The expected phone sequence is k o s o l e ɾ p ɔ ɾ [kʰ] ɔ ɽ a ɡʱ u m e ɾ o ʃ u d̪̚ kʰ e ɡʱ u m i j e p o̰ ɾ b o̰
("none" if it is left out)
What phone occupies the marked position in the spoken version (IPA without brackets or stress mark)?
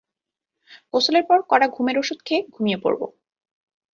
k